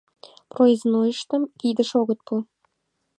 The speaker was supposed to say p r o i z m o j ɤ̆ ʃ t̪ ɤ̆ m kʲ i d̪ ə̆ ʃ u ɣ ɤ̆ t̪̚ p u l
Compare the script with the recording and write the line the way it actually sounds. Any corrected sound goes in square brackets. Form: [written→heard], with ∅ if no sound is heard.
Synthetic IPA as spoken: p r o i z [m→n] o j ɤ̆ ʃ t̪ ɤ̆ m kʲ i d̪ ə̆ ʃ [u→o] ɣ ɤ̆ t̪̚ p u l